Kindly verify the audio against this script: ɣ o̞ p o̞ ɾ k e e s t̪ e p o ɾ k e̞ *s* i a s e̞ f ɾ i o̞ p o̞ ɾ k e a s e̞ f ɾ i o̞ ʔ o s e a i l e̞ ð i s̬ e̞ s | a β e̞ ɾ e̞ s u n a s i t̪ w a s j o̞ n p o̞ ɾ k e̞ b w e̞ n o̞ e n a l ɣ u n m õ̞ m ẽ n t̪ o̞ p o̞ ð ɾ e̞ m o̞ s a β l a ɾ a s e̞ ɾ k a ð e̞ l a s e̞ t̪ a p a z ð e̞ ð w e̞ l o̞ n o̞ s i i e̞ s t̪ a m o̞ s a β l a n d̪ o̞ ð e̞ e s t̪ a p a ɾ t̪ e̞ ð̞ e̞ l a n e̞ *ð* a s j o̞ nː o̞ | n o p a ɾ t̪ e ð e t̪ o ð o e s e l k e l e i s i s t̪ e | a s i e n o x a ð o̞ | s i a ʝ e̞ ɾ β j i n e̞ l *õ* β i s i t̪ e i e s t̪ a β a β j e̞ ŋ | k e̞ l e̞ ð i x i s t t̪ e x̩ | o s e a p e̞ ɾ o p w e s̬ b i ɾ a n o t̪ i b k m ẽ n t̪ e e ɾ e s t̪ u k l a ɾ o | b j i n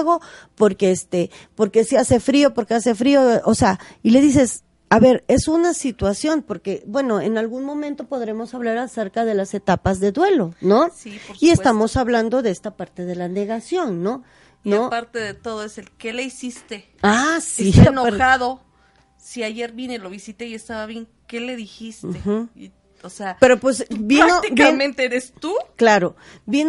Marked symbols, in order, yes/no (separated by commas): yes, no, no